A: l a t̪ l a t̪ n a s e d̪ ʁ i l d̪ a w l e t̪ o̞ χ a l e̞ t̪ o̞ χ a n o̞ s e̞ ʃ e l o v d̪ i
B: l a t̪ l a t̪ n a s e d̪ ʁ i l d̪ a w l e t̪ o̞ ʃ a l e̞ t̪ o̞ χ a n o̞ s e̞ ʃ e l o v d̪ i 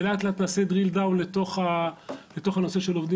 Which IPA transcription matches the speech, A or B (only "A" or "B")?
A